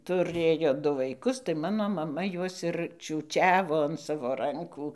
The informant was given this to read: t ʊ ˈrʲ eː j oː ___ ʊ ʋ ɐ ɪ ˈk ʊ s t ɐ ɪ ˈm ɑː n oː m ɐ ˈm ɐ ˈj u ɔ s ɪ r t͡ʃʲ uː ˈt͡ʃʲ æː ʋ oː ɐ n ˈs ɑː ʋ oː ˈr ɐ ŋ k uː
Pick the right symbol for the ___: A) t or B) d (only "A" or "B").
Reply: B